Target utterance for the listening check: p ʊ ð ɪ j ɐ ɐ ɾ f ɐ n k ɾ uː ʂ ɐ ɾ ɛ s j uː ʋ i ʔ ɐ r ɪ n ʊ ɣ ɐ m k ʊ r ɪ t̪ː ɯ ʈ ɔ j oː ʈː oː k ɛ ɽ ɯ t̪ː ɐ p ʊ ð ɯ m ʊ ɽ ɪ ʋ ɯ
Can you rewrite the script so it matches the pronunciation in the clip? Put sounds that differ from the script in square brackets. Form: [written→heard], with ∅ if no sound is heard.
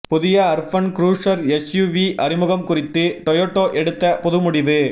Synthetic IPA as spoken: p ʊ ð ɪ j ɐ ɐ ɾ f ɐ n k ɾ uː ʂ ɐ ɾ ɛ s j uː ʋ i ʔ ɐ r ɪ [n→m] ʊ ɣ ɐ m k ʊ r ɪ t̪ː ɯ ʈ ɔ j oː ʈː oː [k→ʔ] ɛ ɽ ɯ t̪ː ɐ p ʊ ð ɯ m ʊ ɽ ɪ ʋ ɯ

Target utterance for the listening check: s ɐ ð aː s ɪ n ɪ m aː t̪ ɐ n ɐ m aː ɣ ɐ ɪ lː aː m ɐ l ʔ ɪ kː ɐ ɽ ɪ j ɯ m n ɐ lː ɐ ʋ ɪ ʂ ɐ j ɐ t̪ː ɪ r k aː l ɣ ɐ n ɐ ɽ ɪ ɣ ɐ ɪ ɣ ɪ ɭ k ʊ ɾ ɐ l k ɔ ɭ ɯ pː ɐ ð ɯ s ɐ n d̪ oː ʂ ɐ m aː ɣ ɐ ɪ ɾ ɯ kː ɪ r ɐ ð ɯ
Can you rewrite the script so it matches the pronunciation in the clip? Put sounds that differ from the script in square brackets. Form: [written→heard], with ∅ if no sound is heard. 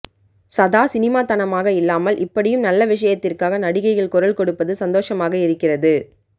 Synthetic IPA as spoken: s ɐ ð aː s ɪ n ɪ m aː t̪ ɐ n ɐ m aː ɣ ɐ ɪ lː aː m ɐ l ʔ ɪ [kː→pː] ɐ ɽ ɪ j ɯ m n ɐ lː ɐ ʋ ɪ ʂ ɐ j ɐ t̪ː ɪ r k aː [l→∅] ɣ ɐ n ɐ ɽ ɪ ɣ ɐ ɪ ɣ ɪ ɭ k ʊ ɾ ɐ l k ɔ [ɭ→ɽ] ɯ pː ɐ ð ɯ s ɐ n d̪ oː ʂ ɐ m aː ɣ ɐ ɪ ɾ ɯ kː ɪ r ɐ ð ɯ

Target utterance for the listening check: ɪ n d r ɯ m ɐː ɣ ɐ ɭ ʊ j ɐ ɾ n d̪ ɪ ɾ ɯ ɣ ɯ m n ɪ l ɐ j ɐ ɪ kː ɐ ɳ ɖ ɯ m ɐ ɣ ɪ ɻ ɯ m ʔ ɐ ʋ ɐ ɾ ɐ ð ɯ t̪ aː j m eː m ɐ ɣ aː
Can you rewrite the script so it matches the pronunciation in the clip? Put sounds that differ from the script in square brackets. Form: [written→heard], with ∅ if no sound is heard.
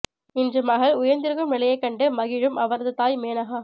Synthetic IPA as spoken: ɪ n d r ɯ m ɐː ɣ ɐ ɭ ʊ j ɐ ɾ n d̪ ɪ ɾ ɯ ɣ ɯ m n ɪ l ɐ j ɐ ɪ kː ɐ ɳ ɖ ɯ m ɐ ɣ ɪ ɻ ɯ m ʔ ɐ ʋ ɐ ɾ ɐ ð ɯ t̪ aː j m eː [m→n] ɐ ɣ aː

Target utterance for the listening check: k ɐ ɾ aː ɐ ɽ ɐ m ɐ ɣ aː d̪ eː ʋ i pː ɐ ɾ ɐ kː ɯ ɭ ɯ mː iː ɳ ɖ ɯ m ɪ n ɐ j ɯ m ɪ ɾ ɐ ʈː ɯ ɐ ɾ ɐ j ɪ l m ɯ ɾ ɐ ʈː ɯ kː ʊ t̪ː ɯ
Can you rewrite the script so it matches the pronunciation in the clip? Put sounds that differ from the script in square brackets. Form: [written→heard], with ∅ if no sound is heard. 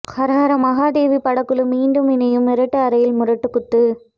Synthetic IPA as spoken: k ɐ ɾ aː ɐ [ɽ→ɾ] ɐ m ɐ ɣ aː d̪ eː ʋ i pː ɐ [ɾ→ɽ] ɐ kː ɯ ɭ ɯ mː iː ɳ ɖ ɯ m ɪ n ɐ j ɯ m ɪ ɾ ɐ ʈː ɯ ɐ ɾ ɐ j ɪ l m [ɯ→ʊ] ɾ ɐ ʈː ɯ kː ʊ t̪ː ɯ

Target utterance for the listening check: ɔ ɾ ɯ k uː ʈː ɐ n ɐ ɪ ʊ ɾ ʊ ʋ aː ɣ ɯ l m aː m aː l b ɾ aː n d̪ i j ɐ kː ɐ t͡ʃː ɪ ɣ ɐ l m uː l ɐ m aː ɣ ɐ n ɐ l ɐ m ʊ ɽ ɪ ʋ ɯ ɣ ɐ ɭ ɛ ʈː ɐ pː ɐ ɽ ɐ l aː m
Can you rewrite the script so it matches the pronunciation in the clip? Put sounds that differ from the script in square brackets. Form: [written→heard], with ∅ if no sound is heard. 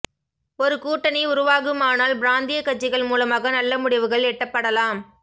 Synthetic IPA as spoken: ɔ ɾ ɯ k uː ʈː ɐ n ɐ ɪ ʊ ɾ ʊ ʋ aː ɣ ɯ [l→∅] m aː [m→n] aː l b ɾ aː n d̪ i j ɐ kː ɐ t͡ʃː ɪ ɣ ɐ [l→ɭ] m uː l ɐ m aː ɣ ɐ n ɐ [l→lː] ɐ m ʊ ɽ ɪ ʋ ɯ ɣ ɐ ɭ ɛ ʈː ɐ pː ɐ ɽ ɐ l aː m

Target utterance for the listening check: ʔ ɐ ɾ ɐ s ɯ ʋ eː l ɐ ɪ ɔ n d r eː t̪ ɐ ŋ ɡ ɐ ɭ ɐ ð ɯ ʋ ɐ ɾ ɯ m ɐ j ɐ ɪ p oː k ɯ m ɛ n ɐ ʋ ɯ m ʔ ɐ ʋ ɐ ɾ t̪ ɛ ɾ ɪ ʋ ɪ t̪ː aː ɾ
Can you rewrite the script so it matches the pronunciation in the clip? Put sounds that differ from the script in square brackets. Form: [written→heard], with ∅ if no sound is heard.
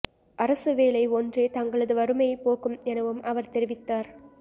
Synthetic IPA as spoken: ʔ ɐ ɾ ɐ s ɯ ʋ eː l ɐ ɪ ɔ n d r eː t̪ ɐ ŋ ɡ ɐ ɭ ɐ ð ɯ ʋ ɐ ɾ ɯ m ɐ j ɐ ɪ p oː k ɯ m ɛ n ɐ ʋ ɯ m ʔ ɐ ʋ ɐ ɾ t̪ ɛ ɾ ɪ ʋ ɪ t̪ː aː ɾ

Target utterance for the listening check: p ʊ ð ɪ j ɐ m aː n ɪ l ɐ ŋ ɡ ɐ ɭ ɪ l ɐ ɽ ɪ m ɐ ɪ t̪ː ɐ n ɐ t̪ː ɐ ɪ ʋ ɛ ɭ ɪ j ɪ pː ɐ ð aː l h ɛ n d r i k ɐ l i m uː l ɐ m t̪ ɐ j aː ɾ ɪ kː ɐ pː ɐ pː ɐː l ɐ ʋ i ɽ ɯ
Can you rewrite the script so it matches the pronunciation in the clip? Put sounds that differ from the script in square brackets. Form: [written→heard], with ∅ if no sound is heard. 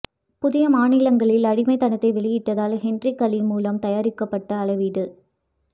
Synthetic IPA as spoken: p ʊ ð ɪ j ɐ m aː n ɪ l ɐ ŋ ɡ ɐ ɭ ɪ l ɐ ɽ ɪ m ɐ ɪ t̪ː ɐ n ɐ t̪ː ɐ ɪ ʋ ɛ ɭ ɪ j ɪ [pː→ʈː] ɐ ð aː l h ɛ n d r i k ɐ l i m uː l ɐ m t̪ ɐ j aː ɾ ɪ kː ɐ pː ɐ [pː→ʈː] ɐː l ɐ ʋ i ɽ ɯ

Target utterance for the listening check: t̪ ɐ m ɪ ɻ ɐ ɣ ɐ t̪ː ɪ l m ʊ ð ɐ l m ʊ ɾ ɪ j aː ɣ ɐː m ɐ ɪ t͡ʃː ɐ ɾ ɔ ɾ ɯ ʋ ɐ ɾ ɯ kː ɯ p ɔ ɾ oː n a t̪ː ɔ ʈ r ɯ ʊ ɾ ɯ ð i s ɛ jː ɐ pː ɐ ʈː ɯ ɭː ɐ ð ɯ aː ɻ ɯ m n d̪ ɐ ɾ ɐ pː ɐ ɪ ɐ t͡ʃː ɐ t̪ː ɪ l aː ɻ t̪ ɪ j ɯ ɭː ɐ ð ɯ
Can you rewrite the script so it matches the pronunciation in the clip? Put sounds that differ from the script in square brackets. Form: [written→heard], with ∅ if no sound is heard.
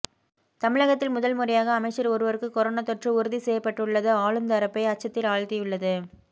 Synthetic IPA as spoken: t̪ ɐ m ɪ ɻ ɐ ɣ ɐ t̪ː ɪ l m ʊ ð ɐ l m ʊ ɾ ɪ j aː ɣ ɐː m ɐ ɪ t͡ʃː ɐ ɾ ɔ ɾ ɯ ʋ ɐ ɾ ɯ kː ɯ [p→k] ɔ ɾ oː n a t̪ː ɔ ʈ r ɯ ʊ ɾ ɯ ð i s ɛ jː ɐ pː ɐ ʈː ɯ ɭː ɐ ð ɯ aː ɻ ɯ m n d̪ ɐ ɾ ɐ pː ɐ ɪ ɐ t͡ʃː ɐ t̪ː ɪ l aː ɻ t̪ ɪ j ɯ ɭː ɐ ð ɯ

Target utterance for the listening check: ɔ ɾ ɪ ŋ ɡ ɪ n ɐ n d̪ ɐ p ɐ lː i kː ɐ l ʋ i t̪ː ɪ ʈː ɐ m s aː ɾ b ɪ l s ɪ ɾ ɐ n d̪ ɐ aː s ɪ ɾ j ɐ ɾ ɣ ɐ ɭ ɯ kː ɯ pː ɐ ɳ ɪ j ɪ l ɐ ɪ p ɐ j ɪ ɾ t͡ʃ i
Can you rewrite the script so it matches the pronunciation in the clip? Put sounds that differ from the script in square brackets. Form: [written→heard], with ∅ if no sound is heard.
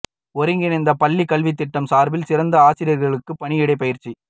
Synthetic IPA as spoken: ɔ ɾ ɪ ŋ ɡ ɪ n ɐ n d̪ ɐ p ɐ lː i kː ɐ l ʋ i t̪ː ɪ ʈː ɐ m s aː ɾ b ɪ l s ɪ ɾ ɐ n d̪ ɐ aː s ɪ ɾ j ɐ ɾ ɣ ɐ ɭ ɯ kː ɯ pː ɐ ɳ ɪ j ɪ [l→ɽ] ɐ ɪ p ɐ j ɪ ɾ t͡ʃ i

